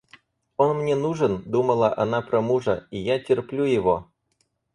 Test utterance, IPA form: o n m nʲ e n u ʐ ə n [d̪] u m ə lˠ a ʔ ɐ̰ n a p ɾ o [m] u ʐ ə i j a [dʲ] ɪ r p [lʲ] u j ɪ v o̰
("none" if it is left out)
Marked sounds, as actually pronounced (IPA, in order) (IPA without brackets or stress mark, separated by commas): d̪, m, tʲ, lʲ